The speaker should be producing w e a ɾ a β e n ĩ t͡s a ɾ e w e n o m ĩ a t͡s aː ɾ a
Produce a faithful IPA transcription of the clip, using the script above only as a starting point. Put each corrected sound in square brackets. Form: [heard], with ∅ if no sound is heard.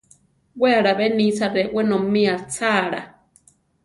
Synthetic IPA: w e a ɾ a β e n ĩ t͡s a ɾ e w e n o m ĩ a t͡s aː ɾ a